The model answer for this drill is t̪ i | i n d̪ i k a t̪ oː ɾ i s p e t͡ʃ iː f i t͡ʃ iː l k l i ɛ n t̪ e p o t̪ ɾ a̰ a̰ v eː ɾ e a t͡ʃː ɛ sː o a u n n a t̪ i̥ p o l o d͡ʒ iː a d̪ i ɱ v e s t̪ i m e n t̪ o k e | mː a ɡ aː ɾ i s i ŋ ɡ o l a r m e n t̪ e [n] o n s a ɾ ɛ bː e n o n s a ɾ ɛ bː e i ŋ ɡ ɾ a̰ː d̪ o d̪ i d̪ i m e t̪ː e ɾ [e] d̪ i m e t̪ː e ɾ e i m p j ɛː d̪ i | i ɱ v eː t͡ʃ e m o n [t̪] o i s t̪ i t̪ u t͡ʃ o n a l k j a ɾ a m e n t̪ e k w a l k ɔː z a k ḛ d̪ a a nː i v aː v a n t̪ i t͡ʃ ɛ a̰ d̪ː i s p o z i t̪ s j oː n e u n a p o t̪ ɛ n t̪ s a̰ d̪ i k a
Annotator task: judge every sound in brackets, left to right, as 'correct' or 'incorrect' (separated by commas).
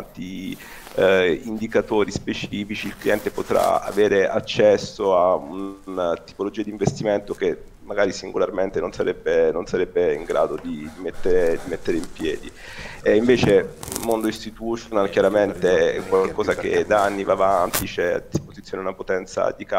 correct, correct, incorrect